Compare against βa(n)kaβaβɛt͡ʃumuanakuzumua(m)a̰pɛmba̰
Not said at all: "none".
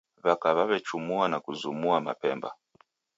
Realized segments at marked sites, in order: none, m

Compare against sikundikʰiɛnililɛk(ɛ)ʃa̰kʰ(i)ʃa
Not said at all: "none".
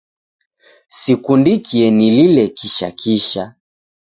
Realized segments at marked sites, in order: i, i

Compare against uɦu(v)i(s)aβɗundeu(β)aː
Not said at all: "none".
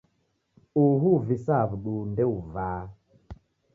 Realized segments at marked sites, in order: v, s, v

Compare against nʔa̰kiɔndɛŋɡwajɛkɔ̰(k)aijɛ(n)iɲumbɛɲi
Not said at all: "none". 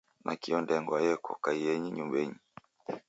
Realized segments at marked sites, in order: k, ɲ

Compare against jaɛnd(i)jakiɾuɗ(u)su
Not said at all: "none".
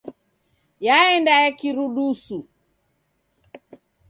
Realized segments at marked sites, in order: a, u

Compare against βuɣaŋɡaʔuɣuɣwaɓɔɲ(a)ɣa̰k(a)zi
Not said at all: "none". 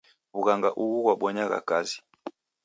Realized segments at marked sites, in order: a, a

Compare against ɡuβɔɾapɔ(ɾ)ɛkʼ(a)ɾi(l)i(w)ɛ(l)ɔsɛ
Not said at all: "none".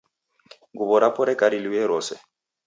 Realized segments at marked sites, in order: ɾ, a, l, w, ɾ

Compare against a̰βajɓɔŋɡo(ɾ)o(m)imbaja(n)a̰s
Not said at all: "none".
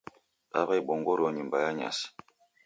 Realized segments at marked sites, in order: ɾ, ɲ, ɲ

